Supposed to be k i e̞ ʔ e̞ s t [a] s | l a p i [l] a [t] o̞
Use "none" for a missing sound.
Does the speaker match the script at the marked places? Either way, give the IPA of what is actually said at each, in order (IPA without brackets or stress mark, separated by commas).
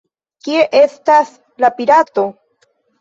a, ɾ, t